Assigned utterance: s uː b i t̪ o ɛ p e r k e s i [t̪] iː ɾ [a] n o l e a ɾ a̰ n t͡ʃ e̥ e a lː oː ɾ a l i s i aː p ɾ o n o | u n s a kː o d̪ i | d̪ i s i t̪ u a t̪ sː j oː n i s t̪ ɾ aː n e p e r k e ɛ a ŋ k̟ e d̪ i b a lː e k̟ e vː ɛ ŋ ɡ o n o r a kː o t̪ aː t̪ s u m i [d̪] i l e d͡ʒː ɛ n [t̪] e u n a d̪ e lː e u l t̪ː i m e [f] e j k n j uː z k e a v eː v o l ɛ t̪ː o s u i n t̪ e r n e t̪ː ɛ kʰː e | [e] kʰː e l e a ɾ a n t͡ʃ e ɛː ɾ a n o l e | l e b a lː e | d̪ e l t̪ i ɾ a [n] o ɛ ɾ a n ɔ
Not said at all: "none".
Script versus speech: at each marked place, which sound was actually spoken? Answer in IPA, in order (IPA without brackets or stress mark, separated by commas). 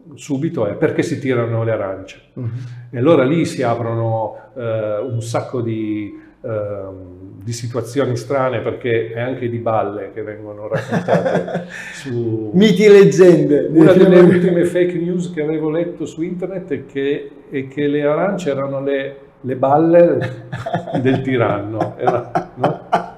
t̪, a, t̪, d̪, f, ɛ, nː